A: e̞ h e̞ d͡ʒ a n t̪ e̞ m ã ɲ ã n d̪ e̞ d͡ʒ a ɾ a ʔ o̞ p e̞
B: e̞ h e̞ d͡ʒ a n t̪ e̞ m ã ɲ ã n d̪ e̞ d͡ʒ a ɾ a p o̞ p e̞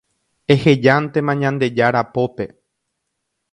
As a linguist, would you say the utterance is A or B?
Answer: B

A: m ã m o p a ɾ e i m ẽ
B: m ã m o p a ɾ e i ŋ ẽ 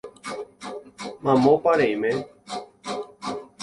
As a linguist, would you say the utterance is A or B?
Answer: A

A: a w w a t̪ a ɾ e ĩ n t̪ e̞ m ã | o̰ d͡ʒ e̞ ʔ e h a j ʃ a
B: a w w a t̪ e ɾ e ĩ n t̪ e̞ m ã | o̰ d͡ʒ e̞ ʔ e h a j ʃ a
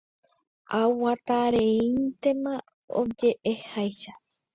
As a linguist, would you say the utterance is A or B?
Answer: A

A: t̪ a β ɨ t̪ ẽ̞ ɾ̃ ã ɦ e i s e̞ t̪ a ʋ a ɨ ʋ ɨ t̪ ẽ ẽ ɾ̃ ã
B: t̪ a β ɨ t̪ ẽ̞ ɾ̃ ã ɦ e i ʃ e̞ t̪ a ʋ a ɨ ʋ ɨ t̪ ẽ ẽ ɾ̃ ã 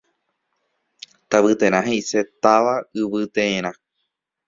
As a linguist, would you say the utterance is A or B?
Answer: A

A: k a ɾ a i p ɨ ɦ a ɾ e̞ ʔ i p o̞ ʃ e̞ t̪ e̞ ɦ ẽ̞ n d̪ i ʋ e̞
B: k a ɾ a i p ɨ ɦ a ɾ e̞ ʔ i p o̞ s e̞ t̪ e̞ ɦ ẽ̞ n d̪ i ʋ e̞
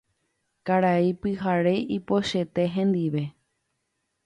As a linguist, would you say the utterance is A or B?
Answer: A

